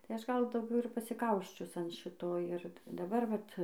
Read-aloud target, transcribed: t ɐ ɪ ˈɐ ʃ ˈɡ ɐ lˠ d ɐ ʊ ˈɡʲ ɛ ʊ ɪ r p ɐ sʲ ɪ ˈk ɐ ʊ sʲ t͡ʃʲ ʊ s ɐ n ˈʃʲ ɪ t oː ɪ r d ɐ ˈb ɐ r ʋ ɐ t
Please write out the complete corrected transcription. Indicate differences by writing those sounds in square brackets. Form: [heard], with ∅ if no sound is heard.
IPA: t ɐ ɪ ˈɐ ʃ ˈɡ ɐ lˠ d ɐ ʊ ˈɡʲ ɛ ʊ ɪ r p ɐ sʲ ɪ ˈk ɐ ʊ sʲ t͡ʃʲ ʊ s ɐ n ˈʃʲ ɪ t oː ɪ r d ɐ ˈb ɐ r ʋ ɐ t